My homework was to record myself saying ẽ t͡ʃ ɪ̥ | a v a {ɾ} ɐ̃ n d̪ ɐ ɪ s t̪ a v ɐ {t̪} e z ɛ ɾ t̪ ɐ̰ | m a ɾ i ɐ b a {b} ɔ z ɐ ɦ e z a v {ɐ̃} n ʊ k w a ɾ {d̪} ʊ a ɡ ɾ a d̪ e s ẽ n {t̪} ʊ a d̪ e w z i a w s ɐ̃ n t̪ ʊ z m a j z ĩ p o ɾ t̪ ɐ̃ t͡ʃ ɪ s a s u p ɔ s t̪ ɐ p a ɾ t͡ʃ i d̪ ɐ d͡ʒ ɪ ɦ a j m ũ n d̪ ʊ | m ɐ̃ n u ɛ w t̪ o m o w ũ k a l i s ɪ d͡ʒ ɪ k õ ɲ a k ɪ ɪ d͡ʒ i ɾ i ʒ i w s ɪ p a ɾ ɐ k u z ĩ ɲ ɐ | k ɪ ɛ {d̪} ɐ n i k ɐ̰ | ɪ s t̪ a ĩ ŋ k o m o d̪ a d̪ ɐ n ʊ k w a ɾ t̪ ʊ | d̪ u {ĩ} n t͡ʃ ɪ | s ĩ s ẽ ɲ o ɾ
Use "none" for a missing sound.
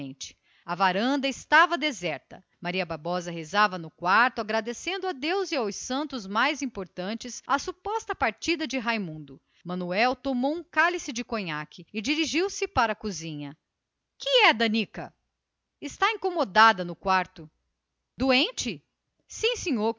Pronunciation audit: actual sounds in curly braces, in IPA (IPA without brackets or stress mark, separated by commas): ɾ, d̪, b, ɐ, t̪, d̪, d̪, ẽ